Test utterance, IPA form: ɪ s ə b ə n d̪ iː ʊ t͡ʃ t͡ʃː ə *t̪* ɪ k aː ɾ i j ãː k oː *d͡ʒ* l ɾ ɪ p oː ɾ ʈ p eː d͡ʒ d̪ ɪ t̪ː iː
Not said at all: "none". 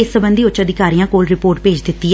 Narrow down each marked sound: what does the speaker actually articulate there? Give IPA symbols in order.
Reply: d̪, none

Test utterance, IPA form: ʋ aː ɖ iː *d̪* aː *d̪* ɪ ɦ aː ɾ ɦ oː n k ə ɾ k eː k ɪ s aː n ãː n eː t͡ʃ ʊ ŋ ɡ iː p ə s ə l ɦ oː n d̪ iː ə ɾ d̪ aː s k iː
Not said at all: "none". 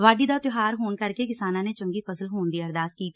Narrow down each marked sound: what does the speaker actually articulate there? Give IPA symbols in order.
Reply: d̪, t̪

